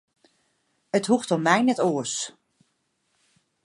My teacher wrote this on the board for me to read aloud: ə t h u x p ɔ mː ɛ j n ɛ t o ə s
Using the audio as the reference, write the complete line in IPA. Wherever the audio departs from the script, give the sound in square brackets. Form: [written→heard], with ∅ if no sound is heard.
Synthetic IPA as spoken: ə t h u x [p→t] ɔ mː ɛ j n ɛ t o ə s

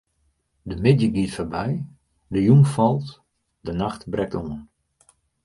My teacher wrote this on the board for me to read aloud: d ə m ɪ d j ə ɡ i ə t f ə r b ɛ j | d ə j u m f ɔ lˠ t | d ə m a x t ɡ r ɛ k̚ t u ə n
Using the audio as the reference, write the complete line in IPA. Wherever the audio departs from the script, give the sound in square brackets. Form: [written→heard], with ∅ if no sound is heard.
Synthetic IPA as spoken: d ə m ɪ d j ə ɡ i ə t f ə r b ɛ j | d ə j u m f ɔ lˠ t | d ə [m→n] a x t [ɡ→b] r ɛ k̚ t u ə n

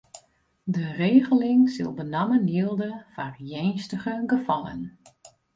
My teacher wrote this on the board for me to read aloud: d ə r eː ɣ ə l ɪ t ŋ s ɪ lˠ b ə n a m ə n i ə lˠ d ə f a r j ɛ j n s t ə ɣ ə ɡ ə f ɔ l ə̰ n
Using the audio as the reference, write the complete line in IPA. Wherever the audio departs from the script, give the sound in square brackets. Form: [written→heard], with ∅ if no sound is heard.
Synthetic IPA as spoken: d ə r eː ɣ ə l ɪ [t→∅] ŋ s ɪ lˠ b ə n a m ə n i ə lˠ d ə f a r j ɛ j n s t ə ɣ ə ɡ ə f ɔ l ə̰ n

